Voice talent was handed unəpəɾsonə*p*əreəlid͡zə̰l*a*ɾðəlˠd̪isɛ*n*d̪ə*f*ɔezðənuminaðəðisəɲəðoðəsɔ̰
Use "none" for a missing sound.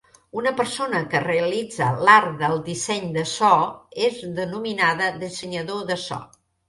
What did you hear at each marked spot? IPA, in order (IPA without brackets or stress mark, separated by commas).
k, a, ɲ, s